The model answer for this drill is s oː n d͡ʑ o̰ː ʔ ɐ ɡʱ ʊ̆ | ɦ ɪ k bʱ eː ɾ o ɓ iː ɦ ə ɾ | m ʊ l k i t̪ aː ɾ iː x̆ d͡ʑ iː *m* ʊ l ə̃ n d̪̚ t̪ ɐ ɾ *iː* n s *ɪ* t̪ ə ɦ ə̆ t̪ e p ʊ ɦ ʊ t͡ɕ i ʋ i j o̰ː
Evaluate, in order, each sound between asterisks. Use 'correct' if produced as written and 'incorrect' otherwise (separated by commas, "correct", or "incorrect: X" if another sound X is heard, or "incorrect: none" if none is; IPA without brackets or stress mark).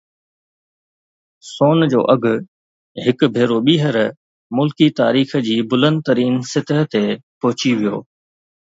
incorrect: b, correct, correct